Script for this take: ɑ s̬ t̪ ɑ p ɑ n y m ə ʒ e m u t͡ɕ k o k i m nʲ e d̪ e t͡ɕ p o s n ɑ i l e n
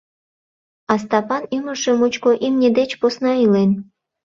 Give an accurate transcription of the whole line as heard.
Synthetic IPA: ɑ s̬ t̪ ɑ p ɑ n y m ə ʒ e m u t͡ɕ k o ʔ i m nʲ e d̪ e t͡ɕ p o s n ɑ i l e n

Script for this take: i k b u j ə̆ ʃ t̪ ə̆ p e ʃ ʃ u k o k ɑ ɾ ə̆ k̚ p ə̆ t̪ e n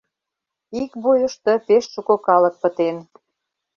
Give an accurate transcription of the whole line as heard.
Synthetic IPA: i k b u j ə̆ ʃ t̪ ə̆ p e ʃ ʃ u k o k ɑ l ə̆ k̚ p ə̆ t̪ e n

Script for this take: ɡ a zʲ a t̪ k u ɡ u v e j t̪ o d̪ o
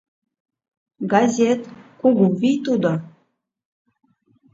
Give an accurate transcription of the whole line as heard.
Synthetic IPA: ɡ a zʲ e t̪ k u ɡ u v i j t̪ u d̪ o

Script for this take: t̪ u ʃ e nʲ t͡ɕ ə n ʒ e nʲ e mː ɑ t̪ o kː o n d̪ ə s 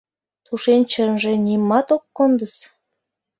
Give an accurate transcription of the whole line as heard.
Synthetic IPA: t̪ u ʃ e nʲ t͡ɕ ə n ʒ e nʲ i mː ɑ t̪ o kː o n d̪ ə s

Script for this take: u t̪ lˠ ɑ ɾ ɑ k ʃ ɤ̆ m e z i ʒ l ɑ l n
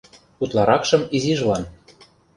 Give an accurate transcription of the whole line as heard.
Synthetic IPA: u t̪ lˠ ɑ ɾ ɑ k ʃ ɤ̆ m i z i ʒ l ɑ n

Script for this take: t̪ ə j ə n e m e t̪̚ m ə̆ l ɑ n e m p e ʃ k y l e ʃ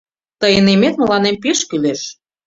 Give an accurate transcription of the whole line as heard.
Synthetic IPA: t̪ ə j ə n e m e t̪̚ m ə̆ l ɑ n e m p e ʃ k y l e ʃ

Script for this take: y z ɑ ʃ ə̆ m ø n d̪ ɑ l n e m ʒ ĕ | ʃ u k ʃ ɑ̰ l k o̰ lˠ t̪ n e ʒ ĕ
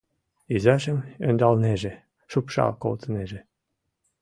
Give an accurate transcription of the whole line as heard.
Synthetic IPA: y z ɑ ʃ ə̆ m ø n d̪ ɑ l n e ʒ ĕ | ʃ u p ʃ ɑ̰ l k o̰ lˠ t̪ n e ʒ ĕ

